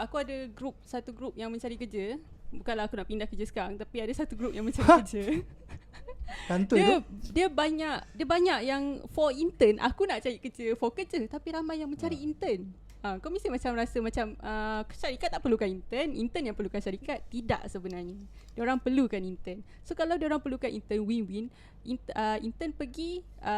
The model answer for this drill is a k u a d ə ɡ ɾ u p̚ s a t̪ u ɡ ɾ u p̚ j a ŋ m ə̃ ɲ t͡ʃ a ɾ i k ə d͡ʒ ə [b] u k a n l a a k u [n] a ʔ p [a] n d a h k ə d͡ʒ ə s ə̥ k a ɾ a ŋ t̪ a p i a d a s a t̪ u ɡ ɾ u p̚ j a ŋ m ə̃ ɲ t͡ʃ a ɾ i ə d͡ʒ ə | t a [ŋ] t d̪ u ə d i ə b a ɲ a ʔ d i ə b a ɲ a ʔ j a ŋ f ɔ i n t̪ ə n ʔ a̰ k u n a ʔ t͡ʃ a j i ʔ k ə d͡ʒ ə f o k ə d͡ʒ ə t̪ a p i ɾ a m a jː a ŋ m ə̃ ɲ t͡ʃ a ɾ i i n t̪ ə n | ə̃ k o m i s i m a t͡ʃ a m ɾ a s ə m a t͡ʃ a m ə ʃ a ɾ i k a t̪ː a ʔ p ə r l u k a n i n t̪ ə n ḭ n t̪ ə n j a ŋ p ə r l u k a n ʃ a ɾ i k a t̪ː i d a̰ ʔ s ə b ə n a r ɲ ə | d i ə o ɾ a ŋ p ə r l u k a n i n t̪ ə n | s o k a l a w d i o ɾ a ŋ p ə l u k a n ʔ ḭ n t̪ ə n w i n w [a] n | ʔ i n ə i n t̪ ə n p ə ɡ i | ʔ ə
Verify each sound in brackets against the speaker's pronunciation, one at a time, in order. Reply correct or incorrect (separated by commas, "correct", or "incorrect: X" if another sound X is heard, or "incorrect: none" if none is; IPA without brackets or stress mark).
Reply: correct, correct, incorrect: i, incorrect: n, incorrect: i